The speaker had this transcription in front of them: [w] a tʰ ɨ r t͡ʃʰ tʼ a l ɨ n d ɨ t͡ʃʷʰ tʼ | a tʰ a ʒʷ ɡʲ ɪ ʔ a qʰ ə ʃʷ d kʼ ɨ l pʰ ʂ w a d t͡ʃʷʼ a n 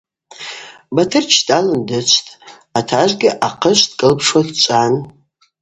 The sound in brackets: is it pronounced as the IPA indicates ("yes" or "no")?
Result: no